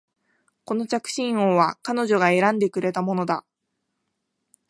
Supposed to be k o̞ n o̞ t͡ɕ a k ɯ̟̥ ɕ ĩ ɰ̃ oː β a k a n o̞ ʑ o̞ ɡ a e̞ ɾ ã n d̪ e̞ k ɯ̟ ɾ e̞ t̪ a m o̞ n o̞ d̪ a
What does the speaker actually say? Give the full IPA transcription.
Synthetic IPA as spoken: k o̞ n o̞ t͡ɕ a k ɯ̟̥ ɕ ĩ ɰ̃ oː β a k a n o̞ ʑ o̞ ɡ a e̞ ɾ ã n d̪ e̞ k ɯ̟ ɾ e̞ t̪ a m o̞ n o̞ d̪ a